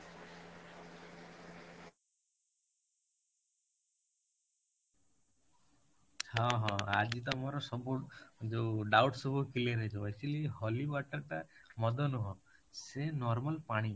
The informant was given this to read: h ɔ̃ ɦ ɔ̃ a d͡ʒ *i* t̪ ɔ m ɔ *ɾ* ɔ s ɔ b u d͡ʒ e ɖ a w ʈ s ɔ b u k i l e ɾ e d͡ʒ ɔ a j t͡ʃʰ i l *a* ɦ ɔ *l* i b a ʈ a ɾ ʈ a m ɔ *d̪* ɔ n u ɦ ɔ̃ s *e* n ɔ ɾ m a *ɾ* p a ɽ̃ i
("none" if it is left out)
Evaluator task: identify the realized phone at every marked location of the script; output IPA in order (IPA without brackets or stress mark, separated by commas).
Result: i, ɾ, i, l, d̪, e, l